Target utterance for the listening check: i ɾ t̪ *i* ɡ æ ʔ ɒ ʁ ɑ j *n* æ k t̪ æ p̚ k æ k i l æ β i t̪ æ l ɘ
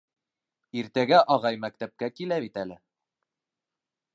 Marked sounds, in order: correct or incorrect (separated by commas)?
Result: incorrect, incorrect